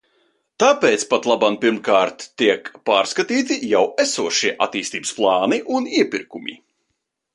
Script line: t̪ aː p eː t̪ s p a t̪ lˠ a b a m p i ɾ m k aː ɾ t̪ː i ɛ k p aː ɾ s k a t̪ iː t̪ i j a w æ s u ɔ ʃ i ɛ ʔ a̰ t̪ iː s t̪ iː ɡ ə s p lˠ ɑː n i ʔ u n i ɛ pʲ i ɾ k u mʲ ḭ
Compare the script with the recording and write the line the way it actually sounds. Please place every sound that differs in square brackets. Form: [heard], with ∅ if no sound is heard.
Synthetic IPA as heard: t̪ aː p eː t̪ s p a t̪ lˠ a b a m p i ɾ m k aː ɾ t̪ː i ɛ k p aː ɾ s k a t̪ iː t̪ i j a w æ s u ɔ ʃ i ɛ ʔ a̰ t̪ iː s t̪ iː [b] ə s p lˠ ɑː n i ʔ u n i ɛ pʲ i ɾ k u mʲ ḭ